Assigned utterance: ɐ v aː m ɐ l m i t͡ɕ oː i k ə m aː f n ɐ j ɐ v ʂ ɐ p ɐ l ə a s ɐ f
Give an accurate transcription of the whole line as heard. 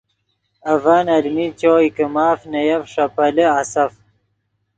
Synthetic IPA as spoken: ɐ v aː n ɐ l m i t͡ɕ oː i k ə m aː f n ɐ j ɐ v ʂ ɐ p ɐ l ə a s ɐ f